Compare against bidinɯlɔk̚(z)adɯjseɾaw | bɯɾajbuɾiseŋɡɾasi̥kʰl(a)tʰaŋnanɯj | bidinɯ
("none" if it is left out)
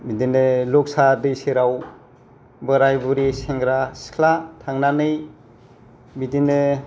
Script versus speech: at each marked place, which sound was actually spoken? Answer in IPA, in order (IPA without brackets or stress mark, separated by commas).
s, a